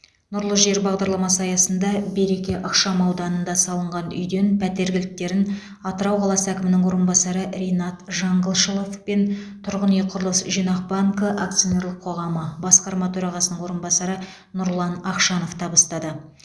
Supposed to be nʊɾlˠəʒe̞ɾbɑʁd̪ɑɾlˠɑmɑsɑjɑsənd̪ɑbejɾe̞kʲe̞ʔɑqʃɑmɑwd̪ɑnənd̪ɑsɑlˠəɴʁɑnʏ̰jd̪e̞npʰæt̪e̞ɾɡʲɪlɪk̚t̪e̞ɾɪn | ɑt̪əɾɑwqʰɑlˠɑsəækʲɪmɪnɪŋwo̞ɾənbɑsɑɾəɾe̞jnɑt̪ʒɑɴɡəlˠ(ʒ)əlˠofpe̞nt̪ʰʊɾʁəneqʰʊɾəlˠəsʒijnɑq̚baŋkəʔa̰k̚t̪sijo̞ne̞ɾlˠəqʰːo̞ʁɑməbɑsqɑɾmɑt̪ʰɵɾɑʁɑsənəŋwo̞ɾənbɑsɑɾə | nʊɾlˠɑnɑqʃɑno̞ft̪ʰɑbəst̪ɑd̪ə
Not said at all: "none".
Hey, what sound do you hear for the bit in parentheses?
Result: ʃ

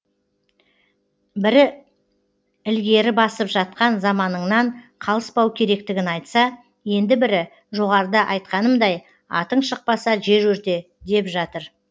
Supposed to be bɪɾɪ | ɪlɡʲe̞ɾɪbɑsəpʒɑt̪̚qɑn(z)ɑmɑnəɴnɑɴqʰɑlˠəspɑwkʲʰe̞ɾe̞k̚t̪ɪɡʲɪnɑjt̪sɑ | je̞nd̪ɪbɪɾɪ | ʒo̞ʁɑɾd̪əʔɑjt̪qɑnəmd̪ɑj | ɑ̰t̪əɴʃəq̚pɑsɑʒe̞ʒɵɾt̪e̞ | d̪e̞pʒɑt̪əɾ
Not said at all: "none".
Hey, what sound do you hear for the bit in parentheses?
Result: z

